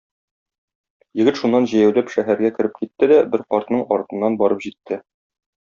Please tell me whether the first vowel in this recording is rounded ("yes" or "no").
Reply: no